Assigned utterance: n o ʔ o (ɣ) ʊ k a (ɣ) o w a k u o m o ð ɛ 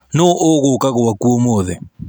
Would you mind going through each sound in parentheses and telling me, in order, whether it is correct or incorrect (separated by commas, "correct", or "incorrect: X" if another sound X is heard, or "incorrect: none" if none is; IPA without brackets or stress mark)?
correct, correct